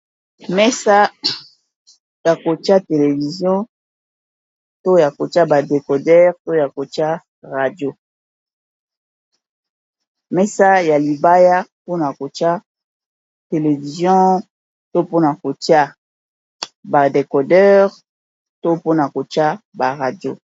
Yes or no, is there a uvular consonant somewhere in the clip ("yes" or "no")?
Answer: yes